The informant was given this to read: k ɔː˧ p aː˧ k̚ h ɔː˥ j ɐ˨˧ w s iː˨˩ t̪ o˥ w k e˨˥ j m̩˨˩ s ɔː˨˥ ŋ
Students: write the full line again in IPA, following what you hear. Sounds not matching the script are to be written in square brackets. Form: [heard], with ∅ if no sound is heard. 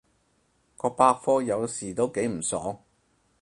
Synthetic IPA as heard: k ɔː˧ p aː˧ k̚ [f] ɔː˥ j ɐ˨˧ w s iː˨˩ t̪ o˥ w k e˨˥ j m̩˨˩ s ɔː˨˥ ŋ